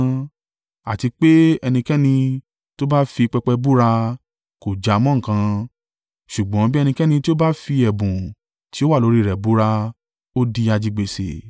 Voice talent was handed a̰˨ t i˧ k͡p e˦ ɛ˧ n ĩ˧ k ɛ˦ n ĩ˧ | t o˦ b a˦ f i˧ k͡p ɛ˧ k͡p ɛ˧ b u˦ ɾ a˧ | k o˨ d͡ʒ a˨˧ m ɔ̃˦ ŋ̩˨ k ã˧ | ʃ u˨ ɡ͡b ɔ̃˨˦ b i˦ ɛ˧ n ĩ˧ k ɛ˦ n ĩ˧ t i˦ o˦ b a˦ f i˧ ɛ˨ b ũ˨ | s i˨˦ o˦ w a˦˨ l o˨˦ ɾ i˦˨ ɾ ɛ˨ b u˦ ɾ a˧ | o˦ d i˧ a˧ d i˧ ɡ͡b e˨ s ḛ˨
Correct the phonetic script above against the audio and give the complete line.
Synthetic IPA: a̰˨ t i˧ k͡p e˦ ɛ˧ n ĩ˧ k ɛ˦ n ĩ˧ | t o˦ b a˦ f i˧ k͡p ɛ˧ k͡p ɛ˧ b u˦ ɾ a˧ | k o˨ d͡ʒ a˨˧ m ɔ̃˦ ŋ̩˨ k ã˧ | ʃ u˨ ɡ͡b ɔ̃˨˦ b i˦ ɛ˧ n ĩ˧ k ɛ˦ n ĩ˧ t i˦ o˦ b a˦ f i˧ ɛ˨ b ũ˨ | t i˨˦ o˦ w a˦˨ l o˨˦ ɾ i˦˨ ɾ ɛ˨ b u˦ ɾ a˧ | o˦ d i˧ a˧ d͡ʒ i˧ ɡ͡b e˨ s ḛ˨